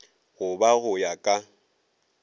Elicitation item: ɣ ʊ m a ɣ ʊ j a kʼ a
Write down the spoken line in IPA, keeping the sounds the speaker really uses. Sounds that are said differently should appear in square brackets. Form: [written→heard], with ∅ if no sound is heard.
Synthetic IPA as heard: ɣ ʊ [m→b] a ɣ ʊ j a kʼ a